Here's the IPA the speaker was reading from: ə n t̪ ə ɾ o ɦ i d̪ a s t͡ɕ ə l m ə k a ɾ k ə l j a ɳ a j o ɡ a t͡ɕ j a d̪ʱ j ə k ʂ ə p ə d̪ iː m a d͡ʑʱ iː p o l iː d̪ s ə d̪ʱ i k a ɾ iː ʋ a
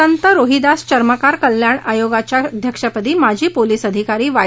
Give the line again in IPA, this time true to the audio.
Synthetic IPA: ə n t̪ ə ɾ o ɦ i d̪ a s t͡ɕ ə ɾ m ə k a ɾ k ə l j a ɳ a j o ɡ a t͡ɕ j a d̪ʱ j ə k ʂ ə p ə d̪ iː m a d͡ʑʱ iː p o l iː s ə d̪ʱ i k a ɾ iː ʋ a